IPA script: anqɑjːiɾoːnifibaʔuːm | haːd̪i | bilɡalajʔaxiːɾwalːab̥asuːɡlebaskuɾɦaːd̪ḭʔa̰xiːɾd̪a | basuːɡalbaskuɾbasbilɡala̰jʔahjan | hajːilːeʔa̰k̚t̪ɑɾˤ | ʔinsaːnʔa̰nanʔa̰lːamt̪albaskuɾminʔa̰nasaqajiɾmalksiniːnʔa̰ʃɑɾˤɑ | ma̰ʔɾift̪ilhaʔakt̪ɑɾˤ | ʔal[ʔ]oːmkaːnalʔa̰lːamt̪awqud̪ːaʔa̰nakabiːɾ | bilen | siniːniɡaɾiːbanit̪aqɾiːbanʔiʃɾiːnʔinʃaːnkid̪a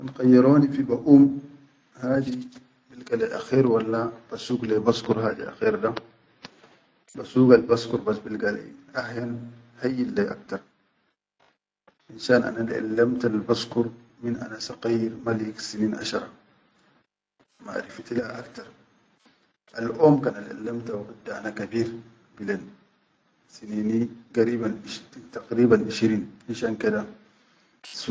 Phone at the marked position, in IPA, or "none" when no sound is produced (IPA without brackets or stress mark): ʔ